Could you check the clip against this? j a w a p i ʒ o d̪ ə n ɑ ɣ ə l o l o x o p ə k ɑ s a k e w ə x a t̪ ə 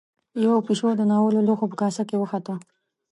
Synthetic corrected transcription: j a w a p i ʃ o d̪ ə n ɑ w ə l o l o x o p ə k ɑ s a k e w ə x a t̪ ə